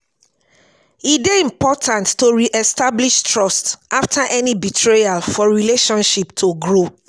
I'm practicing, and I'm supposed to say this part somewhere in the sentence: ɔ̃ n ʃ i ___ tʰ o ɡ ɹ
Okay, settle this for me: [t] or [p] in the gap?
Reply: p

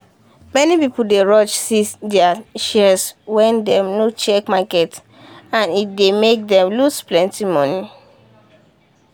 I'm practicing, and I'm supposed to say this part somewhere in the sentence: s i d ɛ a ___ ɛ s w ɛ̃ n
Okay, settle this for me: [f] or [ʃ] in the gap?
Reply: ʃ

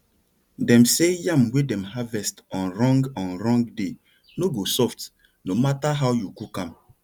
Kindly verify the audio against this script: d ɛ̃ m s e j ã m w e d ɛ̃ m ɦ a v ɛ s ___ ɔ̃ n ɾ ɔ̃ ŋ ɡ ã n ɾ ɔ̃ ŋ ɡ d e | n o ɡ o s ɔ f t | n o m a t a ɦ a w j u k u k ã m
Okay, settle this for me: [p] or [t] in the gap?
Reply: t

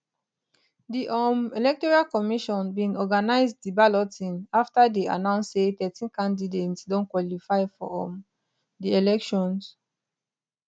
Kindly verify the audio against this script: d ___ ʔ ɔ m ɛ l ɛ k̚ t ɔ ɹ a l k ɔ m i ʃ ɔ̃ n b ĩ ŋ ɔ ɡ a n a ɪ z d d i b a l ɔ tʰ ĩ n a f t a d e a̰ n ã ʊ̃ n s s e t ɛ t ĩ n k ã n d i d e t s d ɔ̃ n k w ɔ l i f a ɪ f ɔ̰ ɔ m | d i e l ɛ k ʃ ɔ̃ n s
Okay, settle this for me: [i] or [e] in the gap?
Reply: i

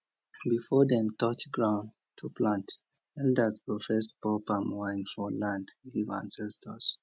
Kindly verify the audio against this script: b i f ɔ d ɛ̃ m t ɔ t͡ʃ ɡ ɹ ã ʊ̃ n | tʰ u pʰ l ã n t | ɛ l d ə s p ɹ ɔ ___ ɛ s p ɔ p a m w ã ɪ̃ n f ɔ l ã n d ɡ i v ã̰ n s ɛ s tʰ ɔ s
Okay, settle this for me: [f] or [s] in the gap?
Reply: f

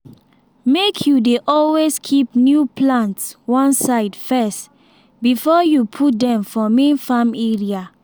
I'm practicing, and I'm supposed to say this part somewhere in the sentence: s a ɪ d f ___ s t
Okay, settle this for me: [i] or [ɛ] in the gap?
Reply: ɛ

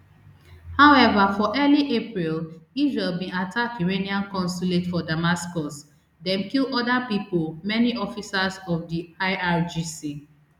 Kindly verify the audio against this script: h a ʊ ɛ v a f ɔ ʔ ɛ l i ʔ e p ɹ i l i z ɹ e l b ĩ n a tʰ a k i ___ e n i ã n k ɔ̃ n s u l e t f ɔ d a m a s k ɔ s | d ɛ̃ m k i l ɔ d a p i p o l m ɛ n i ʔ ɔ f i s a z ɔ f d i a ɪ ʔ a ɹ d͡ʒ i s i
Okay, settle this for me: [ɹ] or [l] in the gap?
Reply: ɹ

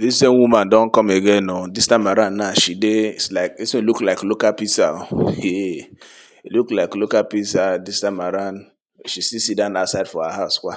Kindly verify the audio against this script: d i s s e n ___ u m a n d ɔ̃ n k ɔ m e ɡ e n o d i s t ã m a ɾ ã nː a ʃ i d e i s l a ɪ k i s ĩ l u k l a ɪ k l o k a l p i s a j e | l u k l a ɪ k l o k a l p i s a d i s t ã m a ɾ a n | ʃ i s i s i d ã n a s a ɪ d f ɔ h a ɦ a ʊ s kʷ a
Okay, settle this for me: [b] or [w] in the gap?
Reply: w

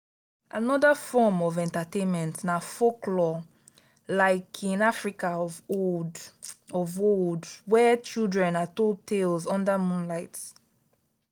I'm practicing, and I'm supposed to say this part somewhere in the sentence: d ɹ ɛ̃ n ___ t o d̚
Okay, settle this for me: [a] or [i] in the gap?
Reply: a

